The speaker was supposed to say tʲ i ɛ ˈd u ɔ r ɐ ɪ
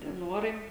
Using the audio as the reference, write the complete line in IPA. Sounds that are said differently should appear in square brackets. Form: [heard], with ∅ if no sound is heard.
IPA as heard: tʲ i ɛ [ˈn] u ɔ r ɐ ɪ